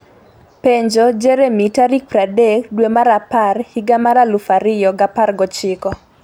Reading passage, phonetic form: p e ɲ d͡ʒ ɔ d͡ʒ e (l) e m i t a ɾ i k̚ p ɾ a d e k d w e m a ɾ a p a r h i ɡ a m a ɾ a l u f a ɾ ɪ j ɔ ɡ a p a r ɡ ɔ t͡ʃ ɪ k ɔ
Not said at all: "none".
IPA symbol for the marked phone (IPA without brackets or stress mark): ɾ